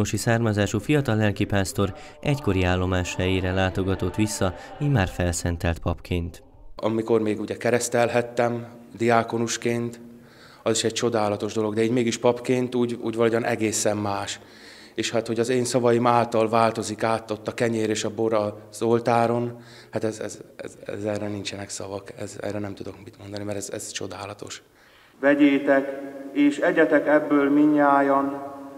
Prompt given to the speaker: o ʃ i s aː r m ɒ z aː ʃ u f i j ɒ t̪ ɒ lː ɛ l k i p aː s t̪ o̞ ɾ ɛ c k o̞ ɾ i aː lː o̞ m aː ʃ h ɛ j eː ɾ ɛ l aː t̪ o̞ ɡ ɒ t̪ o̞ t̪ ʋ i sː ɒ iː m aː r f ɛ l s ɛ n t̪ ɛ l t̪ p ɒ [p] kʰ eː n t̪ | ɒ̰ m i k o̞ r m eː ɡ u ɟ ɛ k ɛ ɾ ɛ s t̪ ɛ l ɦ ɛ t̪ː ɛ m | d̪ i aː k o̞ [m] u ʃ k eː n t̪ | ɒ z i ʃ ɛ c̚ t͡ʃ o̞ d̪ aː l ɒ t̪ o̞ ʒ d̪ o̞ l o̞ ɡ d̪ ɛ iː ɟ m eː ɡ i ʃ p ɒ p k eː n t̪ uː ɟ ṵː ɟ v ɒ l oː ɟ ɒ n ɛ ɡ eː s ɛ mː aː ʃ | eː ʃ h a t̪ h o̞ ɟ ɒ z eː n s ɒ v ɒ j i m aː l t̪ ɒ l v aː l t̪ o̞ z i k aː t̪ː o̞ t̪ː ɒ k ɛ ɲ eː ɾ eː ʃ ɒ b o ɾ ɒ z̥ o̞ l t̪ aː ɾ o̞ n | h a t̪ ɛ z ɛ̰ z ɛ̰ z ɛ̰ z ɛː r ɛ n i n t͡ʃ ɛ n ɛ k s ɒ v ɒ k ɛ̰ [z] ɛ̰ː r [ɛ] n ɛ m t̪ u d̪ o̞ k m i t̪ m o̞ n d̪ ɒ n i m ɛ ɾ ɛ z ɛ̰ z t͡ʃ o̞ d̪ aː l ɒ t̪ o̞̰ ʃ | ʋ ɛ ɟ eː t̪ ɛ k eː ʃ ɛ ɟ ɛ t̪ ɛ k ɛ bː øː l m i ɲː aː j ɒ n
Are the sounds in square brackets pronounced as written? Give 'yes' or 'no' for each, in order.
yes, no, yes, yes

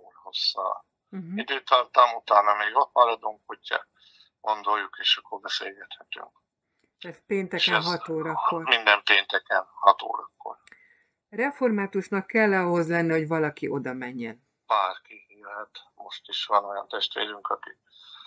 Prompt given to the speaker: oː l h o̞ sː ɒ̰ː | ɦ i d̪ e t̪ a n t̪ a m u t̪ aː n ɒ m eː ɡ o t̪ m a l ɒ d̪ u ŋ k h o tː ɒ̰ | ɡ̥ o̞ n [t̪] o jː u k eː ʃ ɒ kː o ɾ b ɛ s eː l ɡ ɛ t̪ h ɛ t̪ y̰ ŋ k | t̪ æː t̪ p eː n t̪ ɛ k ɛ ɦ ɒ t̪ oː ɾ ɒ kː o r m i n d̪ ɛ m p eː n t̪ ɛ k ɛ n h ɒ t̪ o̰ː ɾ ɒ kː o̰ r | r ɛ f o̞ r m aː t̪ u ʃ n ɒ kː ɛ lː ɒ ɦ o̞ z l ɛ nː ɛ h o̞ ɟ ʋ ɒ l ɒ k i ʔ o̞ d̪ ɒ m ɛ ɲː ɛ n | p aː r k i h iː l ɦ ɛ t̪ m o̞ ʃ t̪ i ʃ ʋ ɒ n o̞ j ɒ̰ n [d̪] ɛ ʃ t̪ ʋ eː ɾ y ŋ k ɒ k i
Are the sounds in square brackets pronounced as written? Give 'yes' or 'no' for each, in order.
no, no

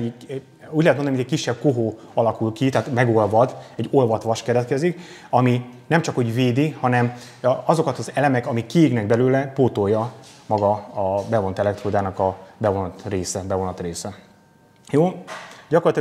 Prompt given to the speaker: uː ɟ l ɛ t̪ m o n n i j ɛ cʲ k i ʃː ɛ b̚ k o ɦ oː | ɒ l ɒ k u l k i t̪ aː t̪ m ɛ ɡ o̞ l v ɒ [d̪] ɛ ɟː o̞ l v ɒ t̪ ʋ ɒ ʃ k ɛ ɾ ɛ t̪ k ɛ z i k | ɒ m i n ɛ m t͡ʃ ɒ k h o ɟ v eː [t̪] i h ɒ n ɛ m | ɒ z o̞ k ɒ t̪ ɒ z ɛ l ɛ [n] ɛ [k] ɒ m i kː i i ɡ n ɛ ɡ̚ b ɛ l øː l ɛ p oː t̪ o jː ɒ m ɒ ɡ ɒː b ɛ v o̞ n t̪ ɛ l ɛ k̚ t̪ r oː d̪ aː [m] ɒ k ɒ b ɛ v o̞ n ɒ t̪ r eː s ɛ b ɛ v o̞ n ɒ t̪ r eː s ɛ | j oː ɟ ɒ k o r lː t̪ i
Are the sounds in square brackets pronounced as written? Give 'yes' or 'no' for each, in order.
yes, no, no, yes, no

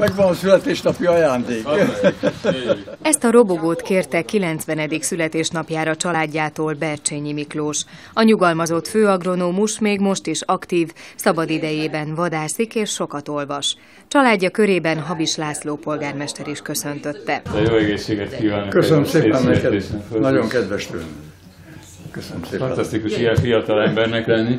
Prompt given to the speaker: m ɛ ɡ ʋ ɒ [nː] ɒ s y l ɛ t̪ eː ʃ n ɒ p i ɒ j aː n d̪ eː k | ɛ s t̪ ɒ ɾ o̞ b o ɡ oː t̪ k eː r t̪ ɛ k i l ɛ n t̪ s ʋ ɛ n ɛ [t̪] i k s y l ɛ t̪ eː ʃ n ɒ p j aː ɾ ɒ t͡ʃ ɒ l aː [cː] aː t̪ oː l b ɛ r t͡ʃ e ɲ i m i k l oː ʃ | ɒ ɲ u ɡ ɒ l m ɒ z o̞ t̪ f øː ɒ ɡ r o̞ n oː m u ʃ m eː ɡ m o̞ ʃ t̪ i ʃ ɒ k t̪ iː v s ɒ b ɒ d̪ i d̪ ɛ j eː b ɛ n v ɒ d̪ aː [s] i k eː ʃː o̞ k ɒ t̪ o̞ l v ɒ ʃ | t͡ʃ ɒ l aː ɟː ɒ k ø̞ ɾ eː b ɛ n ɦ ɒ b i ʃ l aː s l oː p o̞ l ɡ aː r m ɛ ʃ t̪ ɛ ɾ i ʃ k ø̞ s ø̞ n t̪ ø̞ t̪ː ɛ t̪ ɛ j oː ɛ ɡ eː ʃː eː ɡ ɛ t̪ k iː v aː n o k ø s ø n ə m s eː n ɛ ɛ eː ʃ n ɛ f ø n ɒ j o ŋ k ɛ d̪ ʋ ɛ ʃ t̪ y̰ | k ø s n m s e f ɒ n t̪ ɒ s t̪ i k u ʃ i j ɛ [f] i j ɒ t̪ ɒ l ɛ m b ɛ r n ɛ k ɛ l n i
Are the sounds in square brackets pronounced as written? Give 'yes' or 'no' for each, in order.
no, no, no, yes, yes

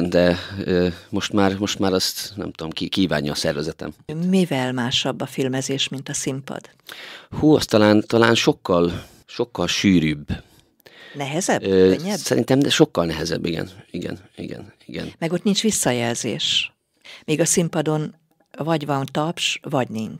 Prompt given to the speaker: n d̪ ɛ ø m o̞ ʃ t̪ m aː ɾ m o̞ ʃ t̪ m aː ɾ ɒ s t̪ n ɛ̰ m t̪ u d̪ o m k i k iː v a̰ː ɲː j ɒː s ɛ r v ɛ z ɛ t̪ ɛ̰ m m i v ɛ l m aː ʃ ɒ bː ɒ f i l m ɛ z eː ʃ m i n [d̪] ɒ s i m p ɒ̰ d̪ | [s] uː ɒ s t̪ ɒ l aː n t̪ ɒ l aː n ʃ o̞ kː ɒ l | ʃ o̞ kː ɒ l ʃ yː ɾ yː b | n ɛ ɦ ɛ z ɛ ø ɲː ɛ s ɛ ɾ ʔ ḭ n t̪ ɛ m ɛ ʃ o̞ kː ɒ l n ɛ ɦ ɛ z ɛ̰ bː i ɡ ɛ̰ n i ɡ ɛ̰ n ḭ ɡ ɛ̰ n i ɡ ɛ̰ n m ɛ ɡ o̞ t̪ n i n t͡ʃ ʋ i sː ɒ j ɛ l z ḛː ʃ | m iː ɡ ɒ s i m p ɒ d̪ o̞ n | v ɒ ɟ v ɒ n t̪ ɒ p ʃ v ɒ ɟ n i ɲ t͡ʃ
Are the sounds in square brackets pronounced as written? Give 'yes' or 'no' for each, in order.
no, no

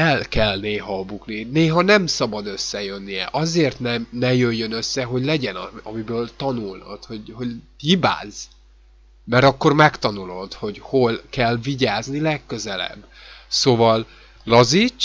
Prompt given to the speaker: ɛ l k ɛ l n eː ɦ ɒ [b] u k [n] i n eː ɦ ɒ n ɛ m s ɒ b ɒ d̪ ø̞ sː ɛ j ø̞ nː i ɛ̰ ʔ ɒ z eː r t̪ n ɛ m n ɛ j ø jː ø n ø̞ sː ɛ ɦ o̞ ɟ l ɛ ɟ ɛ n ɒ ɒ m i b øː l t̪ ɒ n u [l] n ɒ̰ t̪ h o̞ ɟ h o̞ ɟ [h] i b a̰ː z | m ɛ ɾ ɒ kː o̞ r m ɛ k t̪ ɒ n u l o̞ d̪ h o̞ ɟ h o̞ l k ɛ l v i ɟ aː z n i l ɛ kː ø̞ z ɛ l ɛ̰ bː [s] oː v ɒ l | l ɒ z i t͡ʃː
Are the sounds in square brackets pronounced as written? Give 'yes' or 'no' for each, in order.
yes, yes, yes, yes, yes

